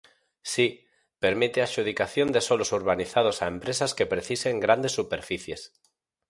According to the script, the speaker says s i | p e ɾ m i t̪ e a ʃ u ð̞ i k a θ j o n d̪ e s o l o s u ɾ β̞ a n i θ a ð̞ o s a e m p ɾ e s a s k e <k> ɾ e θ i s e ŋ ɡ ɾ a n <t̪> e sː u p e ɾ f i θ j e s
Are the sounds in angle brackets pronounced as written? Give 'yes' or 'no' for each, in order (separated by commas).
no, no